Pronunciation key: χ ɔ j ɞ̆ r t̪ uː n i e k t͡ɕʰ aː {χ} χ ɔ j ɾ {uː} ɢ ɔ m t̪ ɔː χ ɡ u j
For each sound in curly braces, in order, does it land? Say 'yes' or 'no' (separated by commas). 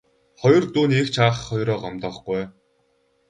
yes, no